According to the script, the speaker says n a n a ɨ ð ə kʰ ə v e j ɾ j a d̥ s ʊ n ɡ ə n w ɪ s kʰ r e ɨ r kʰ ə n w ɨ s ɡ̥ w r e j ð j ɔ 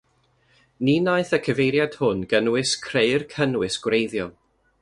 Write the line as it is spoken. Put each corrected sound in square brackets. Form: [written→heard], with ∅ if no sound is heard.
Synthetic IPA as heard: n [a→i] n a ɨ [ð→θ] ə kʰ ə v e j ɾ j a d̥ [s→h] ʊ n ɡ ə n w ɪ s kʰ r e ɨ r kʰ ə n w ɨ s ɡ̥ w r e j ð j ɔ